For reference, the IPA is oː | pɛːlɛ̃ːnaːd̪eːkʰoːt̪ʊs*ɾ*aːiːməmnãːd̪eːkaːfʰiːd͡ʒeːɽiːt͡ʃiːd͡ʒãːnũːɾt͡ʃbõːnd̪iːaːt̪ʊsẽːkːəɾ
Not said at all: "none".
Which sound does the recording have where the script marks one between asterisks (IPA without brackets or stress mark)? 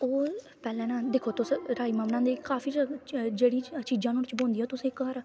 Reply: ɾ